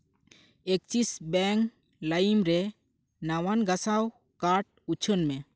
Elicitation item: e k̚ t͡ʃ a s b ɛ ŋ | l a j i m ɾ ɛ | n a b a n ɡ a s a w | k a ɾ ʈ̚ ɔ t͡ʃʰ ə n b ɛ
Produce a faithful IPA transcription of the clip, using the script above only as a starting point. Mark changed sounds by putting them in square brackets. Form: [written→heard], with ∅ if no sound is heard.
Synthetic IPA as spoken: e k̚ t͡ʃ [a→i] s b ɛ ŋ | l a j i m ɾ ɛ | n a [b→w] a n ɡ a s a w | k a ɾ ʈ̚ [ɔ→u] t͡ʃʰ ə n [b→m] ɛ